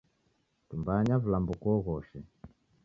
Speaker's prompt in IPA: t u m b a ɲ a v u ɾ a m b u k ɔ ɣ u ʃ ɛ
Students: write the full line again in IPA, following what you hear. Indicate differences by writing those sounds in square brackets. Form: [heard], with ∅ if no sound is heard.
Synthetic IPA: t u m b a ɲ a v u [l] a m b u k ɔ ɣ [ɔ] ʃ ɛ